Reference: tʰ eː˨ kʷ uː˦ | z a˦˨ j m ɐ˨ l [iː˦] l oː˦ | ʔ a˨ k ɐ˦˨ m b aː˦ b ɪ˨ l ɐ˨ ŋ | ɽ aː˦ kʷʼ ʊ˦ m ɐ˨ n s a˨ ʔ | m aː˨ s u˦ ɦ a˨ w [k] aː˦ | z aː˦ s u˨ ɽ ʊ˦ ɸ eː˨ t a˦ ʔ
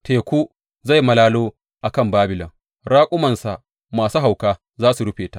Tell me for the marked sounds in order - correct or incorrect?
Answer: incorrect: aː˦, correct

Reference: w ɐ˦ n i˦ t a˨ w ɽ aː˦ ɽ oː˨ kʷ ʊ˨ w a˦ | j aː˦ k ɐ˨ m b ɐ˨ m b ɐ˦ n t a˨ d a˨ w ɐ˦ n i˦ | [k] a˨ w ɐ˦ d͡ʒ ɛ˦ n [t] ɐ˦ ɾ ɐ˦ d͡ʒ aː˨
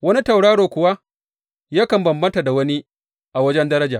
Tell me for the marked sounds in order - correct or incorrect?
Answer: incorrect: ʔ, incorrect: d

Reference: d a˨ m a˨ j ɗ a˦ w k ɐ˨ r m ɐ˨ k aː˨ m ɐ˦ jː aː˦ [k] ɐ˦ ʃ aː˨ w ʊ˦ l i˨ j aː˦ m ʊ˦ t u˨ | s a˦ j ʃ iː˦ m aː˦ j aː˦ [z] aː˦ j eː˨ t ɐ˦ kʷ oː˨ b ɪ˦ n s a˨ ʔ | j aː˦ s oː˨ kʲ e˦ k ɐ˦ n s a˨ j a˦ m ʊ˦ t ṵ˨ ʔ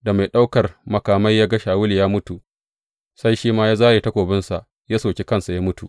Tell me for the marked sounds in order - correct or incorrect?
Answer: incorrect: ɡ, correct

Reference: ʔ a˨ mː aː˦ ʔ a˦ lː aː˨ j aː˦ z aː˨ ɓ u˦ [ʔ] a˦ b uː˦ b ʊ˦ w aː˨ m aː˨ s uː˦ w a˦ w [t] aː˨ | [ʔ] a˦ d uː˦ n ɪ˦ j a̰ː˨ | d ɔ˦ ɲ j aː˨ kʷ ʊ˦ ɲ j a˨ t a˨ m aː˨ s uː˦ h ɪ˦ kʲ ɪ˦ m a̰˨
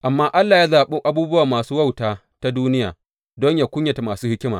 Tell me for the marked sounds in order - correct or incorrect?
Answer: correct, correct, incorrect: t

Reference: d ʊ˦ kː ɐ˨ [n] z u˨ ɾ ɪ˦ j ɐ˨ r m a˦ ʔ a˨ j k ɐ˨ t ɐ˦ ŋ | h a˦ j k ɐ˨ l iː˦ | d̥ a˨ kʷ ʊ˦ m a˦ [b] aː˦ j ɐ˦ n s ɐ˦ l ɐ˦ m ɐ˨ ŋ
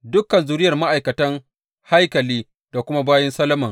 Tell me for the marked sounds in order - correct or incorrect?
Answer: correct, correct

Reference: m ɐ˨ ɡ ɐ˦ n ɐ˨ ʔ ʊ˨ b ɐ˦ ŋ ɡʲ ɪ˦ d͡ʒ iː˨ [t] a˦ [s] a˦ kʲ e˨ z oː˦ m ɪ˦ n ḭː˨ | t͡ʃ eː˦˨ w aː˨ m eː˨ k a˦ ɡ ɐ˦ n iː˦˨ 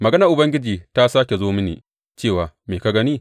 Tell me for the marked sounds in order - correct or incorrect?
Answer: correct, correct

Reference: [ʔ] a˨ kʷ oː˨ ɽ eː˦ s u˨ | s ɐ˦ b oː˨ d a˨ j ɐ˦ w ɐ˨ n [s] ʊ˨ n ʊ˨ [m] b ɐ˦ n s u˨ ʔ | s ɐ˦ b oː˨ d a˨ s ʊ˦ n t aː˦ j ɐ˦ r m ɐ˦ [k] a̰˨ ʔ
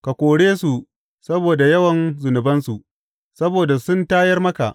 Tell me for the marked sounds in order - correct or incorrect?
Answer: incorrect: k, incorrect: z, incorrect: none, correct

